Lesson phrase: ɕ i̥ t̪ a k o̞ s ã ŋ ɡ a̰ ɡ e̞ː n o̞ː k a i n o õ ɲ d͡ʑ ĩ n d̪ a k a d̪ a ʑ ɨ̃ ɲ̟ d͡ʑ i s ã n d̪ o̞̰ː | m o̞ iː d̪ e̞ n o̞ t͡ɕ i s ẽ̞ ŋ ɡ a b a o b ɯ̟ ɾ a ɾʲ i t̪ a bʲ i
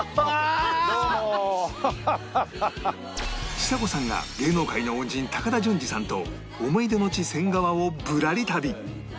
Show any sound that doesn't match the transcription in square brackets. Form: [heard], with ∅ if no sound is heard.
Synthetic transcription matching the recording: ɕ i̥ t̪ a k o̞ s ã ŋ ɡ a̰ ɡ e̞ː n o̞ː k a i n o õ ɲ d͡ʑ ĩ n [t̪] a k a d̪ a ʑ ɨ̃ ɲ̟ d͡ʑ i s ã n [t̪] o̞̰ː | m o̞ [i] d̪ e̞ n o̞ t͡ɕ i s ẽ̞ ŋ ɡ a [β] a o b ɯ̟ ɾ a ɾʲ i t̪ a bʲ i